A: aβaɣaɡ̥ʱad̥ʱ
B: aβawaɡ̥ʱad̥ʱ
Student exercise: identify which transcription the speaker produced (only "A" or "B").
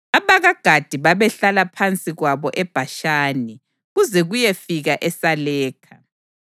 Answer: A